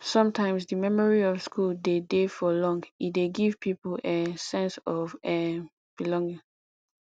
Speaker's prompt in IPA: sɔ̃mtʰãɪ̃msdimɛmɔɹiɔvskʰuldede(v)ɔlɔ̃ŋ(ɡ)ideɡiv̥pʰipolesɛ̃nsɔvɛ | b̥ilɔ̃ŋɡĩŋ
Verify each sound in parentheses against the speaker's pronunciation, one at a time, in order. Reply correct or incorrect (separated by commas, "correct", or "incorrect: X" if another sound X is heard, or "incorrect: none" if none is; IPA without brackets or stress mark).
incorrect: f, correct